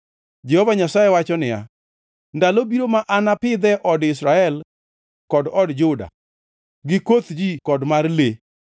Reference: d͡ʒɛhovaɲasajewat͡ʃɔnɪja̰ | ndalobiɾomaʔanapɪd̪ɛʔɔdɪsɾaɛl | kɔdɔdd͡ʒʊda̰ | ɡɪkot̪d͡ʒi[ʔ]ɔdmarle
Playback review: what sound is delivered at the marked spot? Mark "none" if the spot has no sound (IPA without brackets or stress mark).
k